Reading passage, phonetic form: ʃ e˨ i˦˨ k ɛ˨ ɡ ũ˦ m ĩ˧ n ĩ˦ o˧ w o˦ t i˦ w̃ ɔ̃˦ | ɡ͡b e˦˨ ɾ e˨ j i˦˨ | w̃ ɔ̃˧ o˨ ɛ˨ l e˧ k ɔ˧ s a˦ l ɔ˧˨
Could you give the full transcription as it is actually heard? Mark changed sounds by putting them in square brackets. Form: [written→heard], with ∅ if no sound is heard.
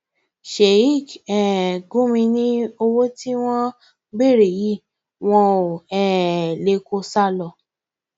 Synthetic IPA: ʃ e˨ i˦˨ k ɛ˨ ɡ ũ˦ m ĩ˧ n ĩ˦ o˧ w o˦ t i˦ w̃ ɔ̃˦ | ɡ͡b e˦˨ ɾ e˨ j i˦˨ | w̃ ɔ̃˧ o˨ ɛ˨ l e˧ k [ɔ˧→o˧] s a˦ l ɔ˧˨